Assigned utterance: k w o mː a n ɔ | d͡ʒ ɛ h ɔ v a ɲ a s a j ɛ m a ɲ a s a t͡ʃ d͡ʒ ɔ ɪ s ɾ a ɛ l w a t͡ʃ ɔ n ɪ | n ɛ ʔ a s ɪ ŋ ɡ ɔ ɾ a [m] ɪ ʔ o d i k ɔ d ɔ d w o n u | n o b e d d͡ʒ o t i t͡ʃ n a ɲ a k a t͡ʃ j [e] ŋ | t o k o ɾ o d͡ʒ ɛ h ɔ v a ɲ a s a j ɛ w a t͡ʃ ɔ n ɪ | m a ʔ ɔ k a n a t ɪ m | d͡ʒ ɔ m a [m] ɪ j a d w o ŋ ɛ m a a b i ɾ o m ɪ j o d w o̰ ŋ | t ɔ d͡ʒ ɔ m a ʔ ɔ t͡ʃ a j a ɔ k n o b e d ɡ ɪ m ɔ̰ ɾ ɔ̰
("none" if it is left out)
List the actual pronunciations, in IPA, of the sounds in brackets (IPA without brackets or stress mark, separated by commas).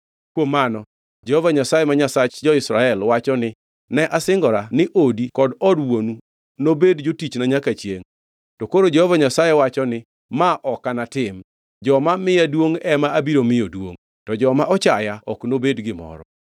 n, e, m